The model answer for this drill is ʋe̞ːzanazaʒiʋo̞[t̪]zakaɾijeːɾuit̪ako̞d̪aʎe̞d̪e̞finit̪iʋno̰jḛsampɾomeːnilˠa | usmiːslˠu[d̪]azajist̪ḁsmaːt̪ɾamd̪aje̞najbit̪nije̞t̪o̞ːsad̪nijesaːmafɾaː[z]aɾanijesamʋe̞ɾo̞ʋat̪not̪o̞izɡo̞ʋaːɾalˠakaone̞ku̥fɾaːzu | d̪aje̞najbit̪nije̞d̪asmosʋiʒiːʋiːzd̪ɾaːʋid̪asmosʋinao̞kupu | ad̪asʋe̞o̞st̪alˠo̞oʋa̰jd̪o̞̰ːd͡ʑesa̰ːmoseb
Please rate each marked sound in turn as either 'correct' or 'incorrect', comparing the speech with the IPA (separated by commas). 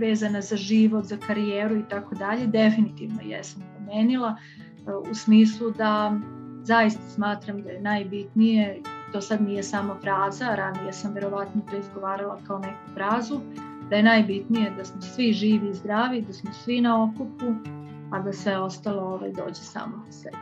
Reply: correct, correct, correct